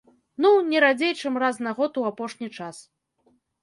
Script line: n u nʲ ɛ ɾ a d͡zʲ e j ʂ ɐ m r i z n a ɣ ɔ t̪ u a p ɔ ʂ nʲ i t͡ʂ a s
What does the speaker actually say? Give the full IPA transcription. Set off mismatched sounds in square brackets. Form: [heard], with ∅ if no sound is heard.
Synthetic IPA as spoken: n u nʲ ɛ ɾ a d͡zʲ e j [t͡ʂ] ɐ m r [a] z n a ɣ ɔ t̪ u a p ɔ ʂ nʲ i t͡ʂ a s